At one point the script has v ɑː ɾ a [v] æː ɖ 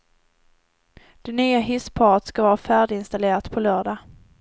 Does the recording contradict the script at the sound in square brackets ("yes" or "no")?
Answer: yes